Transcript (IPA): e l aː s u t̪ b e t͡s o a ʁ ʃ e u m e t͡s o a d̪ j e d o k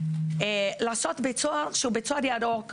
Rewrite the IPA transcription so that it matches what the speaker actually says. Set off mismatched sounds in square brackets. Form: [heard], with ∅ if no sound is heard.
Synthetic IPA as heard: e l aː s [o] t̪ b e t͡s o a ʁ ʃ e u [b] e t͡s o a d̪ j [a] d o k